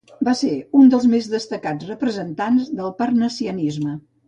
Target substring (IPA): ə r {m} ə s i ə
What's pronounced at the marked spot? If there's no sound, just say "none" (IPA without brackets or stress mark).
n